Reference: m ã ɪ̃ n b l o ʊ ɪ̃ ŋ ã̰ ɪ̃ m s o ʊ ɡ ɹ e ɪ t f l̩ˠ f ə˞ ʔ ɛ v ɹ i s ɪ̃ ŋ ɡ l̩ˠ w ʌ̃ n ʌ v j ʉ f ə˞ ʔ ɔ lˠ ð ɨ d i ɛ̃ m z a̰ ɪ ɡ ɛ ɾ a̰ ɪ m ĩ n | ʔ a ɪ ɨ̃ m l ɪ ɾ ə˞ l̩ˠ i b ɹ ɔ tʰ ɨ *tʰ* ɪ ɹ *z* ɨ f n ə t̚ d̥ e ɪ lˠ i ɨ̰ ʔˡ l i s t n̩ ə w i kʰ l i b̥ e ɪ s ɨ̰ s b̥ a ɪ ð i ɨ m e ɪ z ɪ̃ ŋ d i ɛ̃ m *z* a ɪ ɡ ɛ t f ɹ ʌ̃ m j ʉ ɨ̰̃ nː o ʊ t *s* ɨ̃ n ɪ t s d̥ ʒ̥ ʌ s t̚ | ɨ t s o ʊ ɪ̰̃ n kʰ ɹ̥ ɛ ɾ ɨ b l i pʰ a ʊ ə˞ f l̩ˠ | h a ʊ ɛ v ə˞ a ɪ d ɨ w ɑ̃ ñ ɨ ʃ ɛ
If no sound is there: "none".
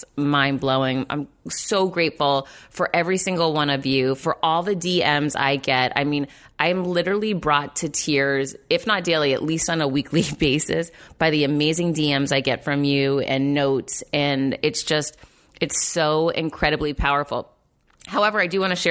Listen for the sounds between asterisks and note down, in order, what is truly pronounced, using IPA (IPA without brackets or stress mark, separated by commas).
tʰ, z, z, s